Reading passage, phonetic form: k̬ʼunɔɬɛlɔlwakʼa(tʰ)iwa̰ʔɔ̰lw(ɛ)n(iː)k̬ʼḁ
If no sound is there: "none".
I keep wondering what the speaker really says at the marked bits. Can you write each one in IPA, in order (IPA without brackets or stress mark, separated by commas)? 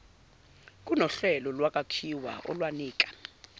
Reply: kʰ, a, iː